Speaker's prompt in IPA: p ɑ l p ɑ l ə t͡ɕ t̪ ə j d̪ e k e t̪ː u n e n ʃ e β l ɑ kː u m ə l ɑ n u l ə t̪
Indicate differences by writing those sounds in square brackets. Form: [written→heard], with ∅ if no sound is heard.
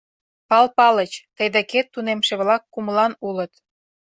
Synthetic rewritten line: p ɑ l p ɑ l ə t͡ɕ t̪ ə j d̪ e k e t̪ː u n e [n→m] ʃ e β l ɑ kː u m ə l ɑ n u l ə t̪

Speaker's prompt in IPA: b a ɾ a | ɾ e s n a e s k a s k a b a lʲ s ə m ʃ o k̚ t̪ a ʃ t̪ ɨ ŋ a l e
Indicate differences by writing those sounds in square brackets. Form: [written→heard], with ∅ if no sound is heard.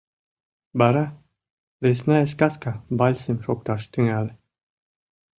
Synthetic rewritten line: b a ɾ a | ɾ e s n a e s k a s k a b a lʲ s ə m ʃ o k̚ t̪ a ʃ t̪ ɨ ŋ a l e

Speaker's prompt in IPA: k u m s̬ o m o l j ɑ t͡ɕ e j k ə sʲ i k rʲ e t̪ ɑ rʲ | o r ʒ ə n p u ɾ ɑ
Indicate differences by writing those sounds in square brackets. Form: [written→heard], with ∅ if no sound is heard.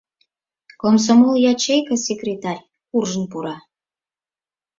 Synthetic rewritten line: k [u→o] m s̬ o m o l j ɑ t͡ɕ e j k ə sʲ [i→e] k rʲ e t̪ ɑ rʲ | [o→u] r ʒ ə n p u ɾ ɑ

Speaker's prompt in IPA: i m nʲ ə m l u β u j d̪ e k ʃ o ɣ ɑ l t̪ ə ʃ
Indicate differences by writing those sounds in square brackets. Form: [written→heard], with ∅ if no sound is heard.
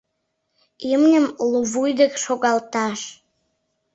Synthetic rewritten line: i m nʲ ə m l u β u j d̪ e k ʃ o ɣ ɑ l t̪ [ə→ɑ] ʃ

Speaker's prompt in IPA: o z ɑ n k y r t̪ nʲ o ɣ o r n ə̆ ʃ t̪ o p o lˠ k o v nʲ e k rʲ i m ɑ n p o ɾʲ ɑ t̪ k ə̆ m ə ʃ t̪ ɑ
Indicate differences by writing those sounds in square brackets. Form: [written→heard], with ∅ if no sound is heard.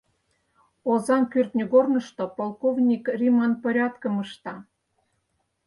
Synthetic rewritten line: o z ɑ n k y r t̪ nʲ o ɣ o r n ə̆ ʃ t̪ o p o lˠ k o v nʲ [e→i] k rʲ i m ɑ n p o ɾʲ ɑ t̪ k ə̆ m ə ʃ t̪ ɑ

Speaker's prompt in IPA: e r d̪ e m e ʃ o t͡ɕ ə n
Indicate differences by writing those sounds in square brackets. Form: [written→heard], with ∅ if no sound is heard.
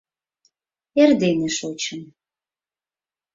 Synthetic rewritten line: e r d̪ e [m→n] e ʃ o t͡ɕ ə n

